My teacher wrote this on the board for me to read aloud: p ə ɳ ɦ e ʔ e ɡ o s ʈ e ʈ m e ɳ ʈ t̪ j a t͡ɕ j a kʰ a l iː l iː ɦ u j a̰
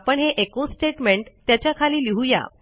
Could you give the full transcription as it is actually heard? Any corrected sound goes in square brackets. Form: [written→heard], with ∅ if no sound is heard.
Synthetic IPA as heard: p ə ɳ ɦ e ʔ e [ɡ→k] o s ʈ e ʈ m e ɳ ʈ t̪ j a t͡ɕ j a kʰ a l iː l [iː→i] ɦ u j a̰